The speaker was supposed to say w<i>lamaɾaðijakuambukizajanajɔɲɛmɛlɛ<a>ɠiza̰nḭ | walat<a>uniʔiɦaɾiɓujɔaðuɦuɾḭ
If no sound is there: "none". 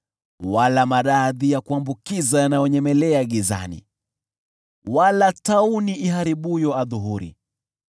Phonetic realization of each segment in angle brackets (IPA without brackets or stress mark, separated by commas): a, a, a